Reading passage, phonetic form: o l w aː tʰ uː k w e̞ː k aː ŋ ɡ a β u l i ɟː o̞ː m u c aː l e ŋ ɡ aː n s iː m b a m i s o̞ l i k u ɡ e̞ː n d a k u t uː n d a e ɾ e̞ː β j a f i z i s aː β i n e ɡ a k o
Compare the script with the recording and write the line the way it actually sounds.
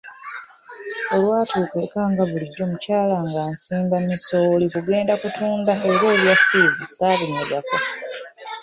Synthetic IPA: o l w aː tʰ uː k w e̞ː k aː ŋ ɡ a β u l i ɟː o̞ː m u c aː l a ŋ ɡ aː n s iː m b a m i s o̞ l i k u ɡ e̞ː n d a k u t uː n d a e ɾ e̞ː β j a f i z i s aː β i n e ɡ a k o